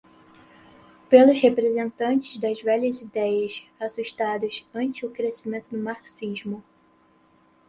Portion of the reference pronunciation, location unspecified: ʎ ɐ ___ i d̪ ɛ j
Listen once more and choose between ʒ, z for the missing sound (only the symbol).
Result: z